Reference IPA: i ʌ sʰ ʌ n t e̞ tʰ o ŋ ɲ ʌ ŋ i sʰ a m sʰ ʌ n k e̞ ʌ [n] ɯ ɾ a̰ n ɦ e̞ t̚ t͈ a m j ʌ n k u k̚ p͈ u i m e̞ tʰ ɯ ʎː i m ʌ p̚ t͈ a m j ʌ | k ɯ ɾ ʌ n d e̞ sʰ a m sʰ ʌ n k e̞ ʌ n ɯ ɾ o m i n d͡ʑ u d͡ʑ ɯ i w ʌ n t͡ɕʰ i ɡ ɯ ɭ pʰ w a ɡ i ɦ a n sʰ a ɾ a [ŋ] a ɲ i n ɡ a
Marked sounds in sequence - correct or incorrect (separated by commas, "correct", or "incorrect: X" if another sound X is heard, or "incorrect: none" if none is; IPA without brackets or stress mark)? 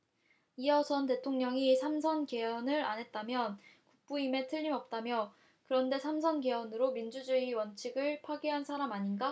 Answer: correct, incorrect: m